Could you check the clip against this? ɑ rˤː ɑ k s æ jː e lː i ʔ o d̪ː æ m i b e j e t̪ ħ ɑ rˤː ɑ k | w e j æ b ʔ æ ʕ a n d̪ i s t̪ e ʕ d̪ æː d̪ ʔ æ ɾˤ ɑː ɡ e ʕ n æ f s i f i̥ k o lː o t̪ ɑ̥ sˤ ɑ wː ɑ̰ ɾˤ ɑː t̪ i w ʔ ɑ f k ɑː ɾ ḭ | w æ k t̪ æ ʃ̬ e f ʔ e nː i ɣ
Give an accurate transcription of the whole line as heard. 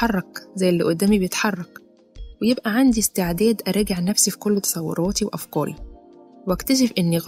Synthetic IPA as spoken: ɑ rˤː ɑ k z æ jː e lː i ʔ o d̪ː æː m i b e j e t̪ ħ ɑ rˤː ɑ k | w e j e b ʔ æ ʕ a n d̪ i s t̪ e ʕ d̪ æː d̪ ʔ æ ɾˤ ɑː ɡ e ʕ n æ f s i f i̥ k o lː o t̪ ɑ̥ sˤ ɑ wː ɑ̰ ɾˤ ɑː t̪ i w ʔ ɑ f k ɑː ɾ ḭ | w æ k t̪ æ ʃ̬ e f ʔ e nː i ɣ